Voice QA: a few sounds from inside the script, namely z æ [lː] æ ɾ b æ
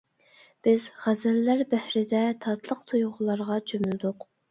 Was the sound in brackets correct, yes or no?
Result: yes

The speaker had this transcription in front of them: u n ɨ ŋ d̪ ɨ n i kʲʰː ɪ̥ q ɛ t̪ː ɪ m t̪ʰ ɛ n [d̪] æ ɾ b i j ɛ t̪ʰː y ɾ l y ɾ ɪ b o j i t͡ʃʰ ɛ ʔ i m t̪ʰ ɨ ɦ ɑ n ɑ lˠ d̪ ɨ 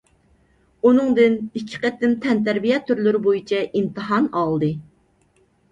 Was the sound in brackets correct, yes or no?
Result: no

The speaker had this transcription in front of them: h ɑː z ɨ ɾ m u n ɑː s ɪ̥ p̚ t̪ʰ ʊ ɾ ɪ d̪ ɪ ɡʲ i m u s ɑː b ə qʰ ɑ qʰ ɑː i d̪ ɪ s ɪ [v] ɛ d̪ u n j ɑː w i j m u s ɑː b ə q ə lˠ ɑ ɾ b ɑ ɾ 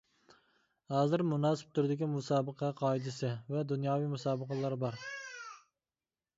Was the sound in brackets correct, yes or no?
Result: yes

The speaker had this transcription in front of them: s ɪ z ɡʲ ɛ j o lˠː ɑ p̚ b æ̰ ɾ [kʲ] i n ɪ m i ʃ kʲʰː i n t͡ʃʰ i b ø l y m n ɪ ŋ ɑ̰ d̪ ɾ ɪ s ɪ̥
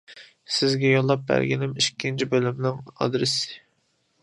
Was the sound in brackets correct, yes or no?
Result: no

